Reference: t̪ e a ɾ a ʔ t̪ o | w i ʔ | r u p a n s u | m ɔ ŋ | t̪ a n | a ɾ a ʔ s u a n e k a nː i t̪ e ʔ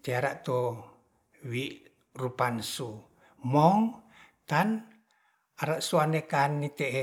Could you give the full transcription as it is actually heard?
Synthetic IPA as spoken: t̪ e a ɾ a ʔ t̪ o | w i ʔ | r u p a n s u | m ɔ ŋ | t̪ a n | a ɾ a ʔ s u a n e k a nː i t̪ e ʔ